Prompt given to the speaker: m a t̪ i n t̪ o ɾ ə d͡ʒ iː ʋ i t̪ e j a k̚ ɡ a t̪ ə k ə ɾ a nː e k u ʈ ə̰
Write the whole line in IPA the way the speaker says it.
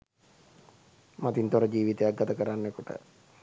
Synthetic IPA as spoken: m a t̪ i n t̪ o ɾ ə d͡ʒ iː ʋ i t̪ e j a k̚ ɡ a t̪ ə k ə ɾ a nː e k u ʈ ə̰